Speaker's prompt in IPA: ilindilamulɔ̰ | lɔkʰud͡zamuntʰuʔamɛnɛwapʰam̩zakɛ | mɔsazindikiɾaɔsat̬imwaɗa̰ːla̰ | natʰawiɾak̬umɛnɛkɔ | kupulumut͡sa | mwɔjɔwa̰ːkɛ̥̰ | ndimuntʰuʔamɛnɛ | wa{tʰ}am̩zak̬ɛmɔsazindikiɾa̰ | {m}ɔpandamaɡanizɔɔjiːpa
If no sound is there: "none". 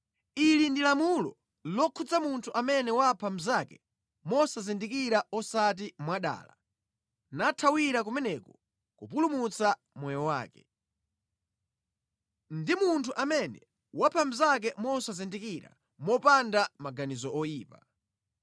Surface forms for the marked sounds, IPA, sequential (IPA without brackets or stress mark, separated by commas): pʰ, m